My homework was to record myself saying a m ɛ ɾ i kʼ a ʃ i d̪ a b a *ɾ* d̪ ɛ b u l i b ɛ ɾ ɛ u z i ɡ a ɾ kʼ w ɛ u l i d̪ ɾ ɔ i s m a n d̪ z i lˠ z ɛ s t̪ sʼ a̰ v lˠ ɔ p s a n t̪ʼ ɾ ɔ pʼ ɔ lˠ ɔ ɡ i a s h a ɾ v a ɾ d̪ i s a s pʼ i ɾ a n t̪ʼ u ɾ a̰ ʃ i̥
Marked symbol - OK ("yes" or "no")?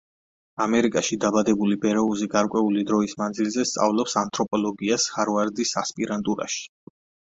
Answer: no